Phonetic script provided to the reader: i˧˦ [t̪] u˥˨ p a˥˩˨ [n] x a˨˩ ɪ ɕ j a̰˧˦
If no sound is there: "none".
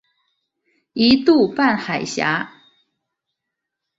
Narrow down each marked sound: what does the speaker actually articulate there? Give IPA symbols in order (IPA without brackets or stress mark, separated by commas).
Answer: t̪, n